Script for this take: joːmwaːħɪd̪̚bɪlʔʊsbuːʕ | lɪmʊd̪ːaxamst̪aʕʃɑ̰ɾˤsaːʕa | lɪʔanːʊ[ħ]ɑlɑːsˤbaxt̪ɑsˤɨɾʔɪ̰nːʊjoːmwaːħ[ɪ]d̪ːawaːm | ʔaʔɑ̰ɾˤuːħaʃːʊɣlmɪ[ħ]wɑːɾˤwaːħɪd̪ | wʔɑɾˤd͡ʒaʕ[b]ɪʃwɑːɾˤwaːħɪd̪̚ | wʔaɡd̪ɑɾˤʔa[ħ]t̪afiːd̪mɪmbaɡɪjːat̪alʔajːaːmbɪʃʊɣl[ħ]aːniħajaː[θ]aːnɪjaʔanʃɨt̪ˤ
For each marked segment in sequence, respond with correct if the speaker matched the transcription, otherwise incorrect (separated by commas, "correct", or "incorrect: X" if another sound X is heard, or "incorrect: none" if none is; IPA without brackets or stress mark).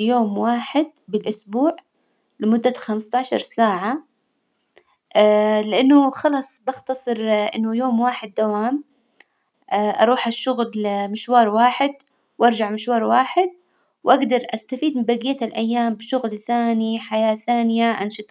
incorrect: x, correct, incorrect: ʃ, incorrect: m, incorrect: s, incorrect: θ, correct